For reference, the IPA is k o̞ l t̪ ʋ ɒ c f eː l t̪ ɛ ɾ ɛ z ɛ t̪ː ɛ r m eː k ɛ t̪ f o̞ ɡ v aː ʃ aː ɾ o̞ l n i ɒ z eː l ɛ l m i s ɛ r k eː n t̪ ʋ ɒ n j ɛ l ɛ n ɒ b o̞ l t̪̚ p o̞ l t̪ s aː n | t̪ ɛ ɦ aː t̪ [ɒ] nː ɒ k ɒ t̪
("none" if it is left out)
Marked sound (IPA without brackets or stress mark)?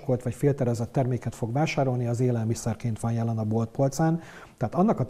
ɒ